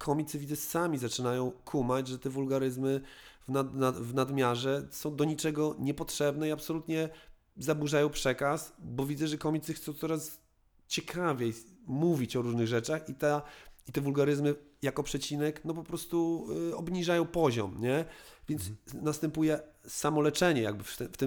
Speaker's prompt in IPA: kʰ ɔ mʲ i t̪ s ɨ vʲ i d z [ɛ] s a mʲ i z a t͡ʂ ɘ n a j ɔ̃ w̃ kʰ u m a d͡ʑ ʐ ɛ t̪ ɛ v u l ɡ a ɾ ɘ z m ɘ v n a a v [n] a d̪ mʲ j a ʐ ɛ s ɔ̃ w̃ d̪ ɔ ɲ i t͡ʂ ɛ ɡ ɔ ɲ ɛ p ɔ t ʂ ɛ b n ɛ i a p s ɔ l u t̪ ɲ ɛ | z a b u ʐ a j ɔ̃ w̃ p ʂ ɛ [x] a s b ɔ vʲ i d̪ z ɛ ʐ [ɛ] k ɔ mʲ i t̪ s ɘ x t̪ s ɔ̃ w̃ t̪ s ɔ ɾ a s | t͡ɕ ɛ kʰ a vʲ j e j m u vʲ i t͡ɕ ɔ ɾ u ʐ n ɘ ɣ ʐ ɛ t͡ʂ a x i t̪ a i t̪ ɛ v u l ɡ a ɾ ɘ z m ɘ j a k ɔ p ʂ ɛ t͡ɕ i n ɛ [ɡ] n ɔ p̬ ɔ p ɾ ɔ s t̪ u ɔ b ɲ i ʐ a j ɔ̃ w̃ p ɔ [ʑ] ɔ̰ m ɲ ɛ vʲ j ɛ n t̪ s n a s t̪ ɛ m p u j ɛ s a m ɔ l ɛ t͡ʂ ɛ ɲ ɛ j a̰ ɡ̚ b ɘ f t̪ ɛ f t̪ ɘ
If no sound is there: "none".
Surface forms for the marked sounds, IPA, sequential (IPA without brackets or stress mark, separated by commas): ɛ, n, k, ɛ, k, ʑ